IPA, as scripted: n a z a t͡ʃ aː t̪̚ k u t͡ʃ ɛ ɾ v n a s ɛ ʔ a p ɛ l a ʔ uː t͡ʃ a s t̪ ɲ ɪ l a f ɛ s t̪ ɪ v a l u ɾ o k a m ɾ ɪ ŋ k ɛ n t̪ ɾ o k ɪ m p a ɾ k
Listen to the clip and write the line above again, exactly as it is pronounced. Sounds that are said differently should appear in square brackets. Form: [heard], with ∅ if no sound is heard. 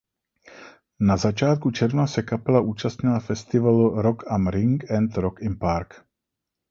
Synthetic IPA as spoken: n a z a t͡ʃ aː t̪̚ k u t͡ʃ ɛ ɾ v n a s ɛ [k] a p ɛ l a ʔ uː t͡ʃ a s t̪ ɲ ɪ l a f ɛ s t̪ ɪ v a l u ɾ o k a m ɾ ɪ ŋ k ɛ n t̪ ɾ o k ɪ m p a ɾ k